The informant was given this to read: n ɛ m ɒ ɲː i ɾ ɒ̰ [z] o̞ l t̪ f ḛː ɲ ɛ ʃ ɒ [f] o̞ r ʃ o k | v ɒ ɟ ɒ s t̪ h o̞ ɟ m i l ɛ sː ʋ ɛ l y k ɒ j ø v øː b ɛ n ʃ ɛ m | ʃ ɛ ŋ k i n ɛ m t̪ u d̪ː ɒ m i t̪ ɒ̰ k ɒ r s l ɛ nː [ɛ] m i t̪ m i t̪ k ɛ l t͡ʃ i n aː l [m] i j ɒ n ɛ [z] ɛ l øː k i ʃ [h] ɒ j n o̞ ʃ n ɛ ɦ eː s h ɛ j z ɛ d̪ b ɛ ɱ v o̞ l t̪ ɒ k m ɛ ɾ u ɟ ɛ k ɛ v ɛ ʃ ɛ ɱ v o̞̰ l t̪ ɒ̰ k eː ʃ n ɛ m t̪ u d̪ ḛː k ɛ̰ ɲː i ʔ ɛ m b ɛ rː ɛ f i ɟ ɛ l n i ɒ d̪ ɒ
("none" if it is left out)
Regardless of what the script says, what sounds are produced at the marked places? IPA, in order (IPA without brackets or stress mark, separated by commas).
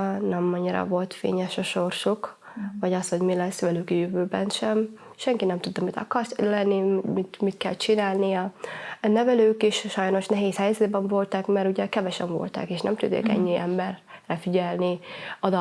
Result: v, ʃ, i, n, v, ʃ